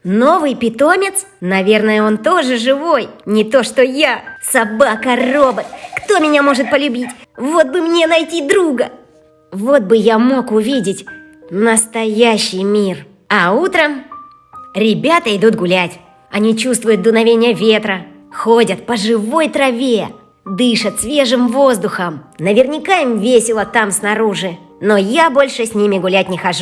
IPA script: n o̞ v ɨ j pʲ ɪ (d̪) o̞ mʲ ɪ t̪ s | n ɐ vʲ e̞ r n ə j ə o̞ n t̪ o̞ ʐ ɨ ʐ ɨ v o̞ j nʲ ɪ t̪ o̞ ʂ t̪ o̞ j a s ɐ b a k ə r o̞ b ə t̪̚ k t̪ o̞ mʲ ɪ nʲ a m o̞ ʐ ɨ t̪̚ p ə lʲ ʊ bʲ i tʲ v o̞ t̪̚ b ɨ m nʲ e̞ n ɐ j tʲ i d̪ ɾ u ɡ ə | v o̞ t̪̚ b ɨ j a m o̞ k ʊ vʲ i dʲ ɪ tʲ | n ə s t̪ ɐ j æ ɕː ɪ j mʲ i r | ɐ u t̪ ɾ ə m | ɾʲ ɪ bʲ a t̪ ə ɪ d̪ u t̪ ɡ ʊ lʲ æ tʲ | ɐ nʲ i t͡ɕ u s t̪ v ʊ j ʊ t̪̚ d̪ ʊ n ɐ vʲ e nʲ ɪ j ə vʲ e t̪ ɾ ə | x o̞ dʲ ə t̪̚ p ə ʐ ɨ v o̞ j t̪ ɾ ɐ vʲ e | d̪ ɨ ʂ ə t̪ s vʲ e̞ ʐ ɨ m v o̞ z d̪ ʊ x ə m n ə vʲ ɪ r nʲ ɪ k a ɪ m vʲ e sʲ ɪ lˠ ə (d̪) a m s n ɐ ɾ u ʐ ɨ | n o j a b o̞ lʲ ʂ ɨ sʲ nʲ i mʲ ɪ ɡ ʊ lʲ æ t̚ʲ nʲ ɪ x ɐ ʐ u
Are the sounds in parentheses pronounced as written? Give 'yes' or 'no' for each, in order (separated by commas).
no, no